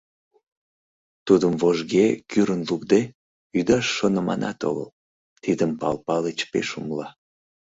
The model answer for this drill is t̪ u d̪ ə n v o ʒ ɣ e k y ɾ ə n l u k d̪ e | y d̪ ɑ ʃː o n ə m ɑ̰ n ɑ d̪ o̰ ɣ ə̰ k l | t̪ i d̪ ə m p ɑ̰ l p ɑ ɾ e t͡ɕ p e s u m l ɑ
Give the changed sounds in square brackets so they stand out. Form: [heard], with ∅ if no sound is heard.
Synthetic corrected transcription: t̪ u d̪ ə [m] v o ʒ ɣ e k y ɾ ə n l u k d̪ e | y d̪ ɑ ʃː o n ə m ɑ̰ n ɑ [t̪] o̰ ɣ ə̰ [∅] l | t̪ i d̪ ə m p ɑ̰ l p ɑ [l] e t͡ɕ p e [ʃ] u m l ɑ